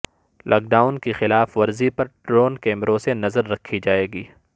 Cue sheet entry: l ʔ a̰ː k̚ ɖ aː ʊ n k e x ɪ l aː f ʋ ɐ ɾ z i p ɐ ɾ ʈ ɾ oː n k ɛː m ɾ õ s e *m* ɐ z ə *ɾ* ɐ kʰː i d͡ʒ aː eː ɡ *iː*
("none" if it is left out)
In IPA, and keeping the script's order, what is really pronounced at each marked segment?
n, ɾː, iː

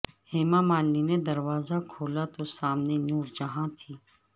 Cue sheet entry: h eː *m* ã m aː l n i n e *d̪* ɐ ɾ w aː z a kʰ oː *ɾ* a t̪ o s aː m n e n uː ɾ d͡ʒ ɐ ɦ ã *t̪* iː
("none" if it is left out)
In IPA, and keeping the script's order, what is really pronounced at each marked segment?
m, d̪, l, t̪ʰ

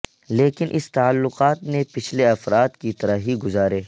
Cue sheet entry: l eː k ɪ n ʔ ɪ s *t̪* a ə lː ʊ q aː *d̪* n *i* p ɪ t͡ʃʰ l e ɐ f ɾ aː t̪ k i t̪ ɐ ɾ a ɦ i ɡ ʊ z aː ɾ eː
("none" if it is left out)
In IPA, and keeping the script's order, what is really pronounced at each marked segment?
t̪, t̪, e

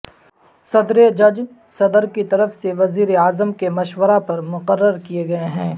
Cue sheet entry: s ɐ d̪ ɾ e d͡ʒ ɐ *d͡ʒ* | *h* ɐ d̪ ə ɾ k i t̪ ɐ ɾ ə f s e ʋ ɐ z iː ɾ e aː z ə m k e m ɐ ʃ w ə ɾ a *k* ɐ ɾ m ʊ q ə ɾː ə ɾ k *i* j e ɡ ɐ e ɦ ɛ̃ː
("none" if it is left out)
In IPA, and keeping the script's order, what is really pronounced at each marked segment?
d͡ʒ, s, p, i

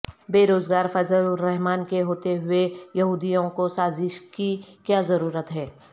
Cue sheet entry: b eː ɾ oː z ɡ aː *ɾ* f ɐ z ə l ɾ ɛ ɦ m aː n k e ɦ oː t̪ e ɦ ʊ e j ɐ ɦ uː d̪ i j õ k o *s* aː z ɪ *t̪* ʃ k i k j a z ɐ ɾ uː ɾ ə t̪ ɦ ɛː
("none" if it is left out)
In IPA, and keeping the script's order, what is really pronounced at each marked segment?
ɾ, s, none

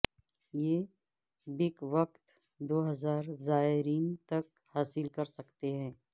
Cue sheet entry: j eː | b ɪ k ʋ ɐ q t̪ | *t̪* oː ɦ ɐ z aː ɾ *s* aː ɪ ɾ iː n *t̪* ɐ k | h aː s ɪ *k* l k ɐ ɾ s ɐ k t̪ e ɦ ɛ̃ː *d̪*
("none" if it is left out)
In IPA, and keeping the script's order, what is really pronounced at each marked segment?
d̪, z, t̪, none, none

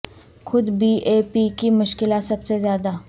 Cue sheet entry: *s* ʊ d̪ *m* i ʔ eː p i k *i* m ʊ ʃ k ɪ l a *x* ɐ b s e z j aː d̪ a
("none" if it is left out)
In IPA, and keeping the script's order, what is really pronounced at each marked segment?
x, b, i, s

